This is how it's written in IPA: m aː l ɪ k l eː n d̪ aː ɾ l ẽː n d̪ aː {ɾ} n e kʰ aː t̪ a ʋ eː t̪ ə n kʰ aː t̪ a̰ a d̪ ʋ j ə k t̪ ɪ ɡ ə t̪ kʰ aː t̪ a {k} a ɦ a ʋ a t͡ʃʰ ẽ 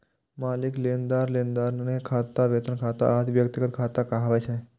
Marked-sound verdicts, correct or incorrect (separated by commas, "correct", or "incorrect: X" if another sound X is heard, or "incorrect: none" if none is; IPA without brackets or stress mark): correct, correct